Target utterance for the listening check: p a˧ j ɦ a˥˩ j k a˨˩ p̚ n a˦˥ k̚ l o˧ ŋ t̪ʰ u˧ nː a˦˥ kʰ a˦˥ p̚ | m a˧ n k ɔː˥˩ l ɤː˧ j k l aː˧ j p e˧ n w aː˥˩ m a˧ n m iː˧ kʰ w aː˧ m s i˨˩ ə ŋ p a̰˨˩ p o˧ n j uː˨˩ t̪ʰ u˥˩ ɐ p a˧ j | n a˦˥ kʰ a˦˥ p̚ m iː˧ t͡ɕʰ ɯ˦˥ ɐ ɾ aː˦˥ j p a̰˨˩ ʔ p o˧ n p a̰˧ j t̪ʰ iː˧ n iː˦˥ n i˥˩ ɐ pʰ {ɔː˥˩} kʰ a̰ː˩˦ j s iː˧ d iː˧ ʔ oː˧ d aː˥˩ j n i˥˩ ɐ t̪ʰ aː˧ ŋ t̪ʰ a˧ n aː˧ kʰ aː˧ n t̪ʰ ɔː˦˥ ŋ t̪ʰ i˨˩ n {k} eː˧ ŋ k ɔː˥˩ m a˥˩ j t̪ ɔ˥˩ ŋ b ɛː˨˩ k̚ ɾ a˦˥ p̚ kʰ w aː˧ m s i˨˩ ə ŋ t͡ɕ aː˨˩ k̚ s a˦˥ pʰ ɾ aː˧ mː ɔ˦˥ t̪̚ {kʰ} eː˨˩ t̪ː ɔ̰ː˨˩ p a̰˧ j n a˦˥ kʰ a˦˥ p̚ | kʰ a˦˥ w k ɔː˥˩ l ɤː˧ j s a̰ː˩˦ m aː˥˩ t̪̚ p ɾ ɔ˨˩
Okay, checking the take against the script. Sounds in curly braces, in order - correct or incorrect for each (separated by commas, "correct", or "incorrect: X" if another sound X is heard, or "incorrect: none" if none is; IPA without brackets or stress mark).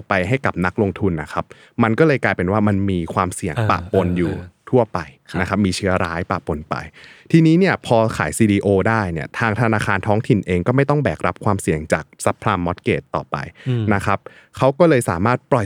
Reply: incorrect: ɔː˧, incorrect: ʔ, incorrect: k